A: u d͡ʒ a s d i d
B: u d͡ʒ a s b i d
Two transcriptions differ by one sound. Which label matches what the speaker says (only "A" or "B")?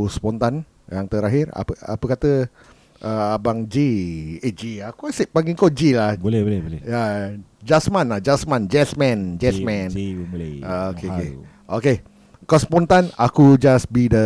B